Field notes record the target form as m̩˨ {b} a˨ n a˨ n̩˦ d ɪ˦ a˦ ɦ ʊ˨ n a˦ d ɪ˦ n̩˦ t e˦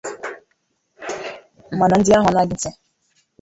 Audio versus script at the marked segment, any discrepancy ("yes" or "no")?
yes